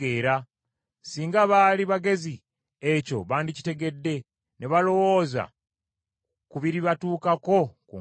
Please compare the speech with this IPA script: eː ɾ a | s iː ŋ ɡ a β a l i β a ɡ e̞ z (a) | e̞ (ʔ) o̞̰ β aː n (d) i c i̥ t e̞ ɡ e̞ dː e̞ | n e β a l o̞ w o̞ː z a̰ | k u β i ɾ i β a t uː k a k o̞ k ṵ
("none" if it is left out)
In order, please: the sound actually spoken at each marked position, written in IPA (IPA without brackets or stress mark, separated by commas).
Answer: i, c, d